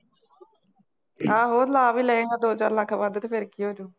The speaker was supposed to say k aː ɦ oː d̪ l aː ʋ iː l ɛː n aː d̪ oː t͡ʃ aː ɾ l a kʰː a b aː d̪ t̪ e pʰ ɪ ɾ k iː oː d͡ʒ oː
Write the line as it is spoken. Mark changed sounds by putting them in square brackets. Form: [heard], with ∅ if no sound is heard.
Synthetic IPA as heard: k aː ɦ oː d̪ l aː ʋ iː l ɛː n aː d̪ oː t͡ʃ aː ɾ l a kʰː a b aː d̪ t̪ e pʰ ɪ ɾ k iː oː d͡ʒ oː